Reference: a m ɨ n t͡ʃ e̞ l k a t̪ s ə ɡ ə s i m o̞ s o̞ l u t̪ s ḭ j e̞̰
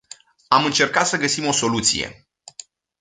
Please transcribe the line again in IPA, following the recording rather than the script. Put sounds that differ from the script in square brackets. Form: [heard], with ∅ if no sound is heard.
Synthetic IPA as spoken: a m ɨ n t͡ʃ e̞ [r] k a t̪ s ə ɡ ə s i m o̞ s o̞ l u t̪ s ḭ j e̞̰